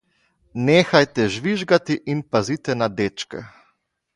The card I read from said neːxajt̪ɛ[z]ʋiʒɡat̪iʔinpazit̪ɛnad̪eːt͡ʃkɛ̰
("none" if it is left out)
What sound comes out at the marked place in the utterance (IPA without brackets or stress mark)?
ʒ